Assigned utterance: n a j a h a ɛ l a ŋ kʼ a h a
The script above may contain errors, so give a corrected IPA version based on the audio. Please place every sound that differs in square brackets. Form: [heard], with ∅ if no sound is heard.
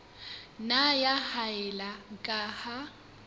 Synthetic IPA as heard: n a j a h a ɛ l a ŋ kʼ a h a